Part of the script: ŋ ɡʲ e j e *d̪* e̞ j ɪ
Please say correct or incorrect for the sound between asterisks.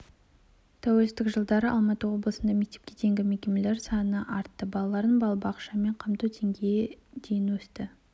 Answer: correct